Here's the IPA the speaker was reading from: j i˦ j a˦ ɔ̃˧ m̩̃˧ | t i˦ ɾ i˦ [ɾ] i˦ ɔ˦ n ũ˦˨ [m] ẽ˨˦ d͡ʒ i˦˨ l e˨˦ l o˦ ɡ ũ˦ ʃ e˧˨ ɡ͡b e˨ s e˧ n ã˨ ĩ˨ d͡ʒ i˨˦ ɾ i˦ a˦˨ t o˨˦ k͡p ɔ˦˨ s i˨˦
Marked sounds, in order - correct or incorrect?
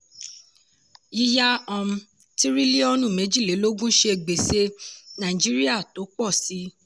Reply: incorrect: l, correct

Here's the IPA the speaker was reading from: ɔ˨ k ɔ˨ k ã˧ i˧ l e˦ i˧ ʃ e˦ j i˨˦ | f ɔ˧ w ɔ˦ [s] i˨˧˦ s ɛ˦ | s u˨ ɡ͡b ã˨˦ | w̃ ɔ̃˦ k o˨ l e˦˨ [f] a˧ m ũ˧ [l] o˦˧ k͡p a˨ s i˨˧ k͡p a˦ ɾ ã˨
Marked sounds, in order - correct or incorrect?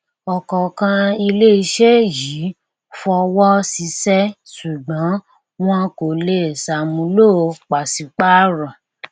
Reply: correct, incorrect: s, correct

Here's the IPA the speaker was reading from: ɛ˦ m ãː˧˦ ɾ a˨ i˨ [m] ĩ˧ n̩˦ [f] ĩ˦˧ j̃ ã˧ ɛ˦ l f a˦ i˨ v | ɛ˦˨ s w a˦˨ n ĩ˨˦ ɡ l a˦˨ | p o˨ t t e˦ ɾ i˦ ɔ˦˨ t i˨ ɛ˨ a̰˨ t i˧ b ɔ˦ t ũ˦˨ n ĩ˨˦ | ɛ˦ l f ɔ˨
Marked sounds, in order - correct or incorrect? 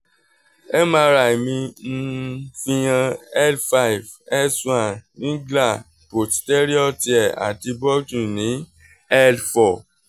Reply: correct, correct

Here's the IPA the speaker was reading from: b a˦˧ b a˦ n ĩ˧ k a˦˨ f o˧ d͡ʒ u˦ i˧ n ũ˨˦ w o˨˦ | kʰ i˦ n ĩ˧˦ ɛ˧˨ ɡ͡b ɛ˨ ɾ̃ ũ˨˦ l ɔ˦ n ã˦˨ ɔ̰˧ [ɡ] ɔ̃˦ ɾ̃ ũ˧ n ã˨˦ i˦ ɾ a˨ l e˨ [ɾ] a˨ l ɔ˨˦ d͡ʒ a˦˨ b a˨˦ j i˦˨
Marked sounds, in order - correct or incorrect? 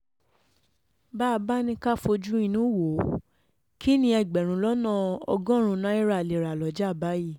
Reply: correct, correct

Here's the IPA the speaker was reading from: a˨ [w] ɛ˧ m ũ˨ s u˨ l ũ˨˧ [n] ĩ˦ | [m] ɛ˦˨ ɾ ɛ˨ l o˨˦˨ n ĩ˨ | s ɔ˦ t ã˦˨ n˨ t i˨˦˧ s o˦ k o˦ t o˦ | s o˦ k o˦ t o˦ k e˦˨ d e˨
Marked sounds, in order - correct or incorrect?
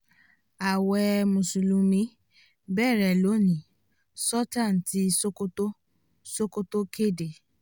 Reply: correct, incorrect: m, incorrect: b

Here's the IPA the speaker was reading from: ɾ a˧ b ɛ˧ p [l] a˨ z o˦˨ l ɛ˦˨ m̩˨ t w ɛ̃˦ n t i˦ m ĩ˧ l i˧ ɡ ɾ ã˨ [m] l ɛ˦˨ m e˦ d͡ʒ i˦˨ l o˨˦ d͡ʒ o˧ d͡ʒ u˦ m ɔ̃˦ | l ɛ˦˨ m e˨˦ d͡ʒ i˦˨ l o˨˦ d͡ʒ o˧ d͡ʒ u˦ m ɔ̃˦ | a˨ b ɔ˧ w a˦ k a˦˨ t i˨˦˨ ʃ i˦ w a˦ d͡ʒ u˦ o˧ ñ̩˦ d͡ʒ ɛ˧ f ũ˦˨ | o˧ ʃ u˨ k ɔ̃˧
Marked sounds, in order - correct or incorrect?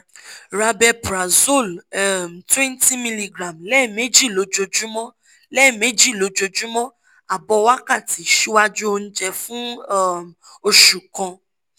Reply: incorrect: ɾ, correct

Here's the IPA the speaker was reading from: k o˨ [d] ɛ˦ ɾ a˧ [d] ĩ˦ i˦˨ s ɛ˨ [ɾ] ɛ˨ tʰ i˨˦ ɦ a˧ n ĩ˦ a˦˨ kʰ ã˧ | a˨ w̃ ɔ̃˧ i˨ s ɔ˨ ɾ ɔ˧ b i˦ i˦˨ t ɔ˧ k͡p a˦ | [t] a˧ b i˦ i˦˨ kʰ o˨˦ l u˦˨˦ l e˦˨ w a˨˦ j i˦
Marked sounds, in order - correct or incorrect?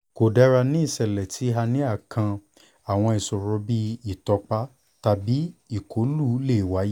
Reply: correct, incorrect: n, incorrect: l, correct

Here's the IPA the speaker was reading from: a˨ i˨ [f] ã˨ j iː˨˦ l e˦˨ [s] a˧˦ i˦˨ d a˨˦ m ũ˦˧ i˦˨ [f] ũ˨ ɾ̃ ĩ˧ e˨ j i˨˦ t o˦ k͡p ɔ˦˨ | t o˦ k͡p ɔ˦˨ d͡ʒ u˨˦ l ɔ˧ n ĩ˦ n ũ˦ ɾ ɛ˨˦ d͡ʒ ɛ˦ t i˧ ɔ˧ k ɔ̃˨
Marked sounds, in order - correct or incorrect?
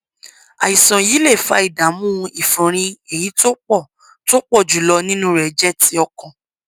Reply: incorrect: s, incorrect: f, correct

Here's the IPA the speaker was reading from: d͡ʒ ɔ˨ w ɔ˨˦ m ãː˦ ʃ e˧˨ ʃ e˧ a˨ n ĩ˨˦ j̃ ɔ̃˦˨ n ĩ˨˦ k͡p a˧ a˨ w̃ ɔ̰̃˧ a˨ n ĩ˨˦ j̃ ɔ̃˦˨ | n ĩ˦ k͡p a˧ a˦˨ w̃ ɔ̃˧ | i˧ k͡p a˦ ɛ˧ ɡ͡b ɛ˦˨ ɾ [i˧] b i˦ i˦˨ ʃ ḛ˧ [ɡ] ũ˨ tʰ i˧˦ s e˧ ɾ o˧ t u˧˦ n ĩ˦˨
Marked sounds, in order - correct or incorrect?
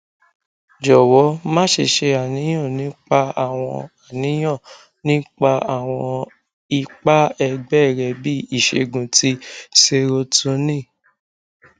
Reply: incorrect: ɛ˧, correct

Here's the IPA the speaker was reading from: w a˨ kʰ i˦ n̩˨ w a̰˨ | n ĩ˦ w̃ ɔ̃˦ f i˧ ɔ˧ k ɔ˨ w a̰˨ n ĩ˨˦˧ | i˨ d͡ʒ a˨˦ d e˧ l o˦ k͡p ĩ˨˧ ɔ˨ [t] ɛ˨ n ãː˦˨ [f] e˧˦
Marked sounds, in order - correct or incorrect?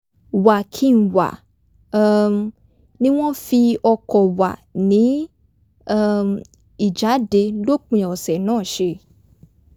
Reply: incorrect: s, incorrect: ʃ

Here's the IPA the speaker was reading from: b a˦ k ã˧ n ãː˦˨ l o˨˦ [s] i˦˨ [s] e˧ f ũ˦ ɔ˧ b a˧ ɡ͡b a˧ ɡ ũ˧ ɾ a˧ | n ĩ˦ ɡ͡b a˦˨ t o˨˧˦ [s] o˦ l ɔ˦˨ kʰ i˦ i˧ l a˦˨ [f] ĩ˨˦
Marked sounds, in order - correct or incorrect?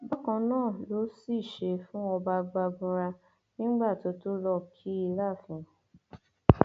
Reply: correct, incorrect: ʃ, incorrect: t, correct

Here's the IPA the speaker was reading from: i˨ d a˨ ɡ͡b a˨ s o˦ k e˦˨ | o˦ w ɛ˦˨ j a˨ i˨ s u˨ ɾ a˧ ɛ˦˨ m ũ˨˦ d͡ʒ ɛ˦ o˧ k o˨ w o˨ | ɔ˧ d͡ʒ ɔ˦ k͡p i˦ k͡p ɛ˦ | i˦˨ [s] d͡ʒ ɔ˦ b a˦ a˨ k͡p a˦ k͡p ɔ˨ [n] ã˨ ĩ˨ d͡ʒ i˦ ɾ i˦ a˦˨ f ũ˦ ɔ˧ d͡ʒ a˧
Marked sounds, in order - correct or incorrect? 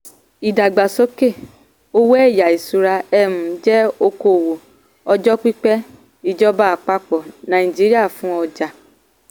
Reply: incorrect: none, correct

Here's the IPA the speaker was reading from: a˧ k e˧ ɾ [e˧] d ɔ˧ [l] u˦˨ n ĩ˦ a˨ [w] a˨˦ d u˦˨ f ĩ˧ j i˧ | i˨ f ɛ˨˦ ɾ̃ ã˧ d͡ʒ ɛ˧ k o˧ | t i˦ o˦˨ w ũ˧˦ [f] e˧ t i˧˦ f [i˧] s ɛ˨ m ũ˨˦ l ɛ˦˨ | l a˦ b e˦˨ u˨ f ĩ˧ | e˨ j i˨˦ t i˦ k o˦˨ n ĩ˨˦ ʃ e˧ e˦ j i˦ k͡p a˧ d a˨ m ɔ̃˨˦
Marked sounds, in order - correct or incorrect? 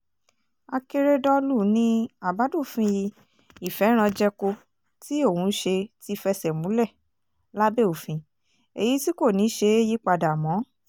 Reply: correct, correct, incorrect: b, incorrect: ʃ, incorrect: ɛ˧

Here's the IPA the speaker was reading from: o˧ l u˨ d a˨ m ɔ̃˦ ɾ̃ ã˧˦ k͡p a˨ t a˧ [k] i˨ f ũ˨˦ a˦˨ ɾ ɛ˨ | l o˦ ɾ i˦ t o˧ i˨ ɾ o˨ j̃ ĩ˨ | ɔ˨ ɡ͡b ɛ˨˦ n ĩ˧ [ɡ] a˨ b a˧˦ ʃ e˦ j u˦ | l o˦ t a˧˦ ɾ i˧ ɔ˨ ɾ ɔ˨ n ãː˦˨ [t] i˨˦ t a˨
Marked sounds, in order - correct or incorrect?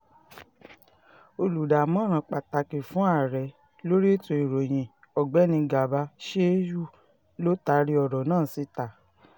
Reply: correct, correct, incorrect: s

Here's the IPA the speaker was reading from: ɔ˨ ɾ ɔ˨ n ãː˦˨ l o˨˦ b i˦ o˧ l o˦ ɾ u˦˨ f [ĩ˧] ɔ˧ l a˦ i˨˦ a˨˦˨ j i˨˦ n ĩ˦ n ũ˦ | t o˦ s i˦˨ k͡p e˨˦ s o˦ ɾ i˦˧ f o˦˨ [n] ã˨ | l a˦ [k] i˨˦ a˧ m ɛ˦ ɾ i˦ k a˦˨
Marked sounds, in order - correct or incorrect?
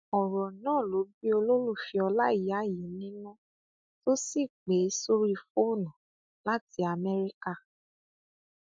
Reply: incorrect: i˧, correct, incorrect: t

